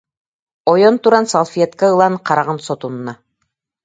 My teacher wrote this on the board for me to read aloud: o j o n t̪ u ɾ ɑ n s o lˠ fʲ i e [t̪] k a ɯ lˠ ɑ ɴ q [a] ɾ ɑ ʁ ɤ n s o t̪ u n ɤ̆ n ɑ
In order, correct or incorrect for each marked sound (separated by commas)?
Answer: correct, incorrect